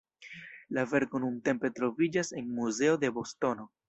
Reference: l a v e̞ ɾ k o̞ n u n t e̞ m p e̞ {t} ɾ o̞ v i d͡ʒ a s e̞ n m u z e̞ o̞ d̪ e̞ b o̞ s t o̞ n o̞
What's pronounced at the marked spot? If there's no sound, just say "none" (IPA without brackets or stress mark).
t